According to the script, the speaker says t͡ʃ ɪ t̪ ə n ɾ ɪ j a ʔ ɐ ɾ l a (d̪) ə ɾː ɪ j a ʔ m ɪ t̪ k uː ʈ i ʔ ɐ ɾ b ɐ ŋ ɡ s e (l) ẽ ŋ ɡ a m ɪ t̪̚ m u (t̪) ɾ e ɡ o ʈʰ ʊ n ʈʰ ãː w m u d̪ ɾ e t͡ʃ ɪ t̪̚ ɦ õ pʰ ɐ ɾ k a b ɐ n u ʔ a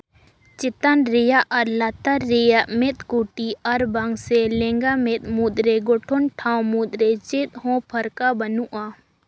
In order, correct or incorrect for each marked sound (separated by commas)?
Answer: incorrect, correct, incorrect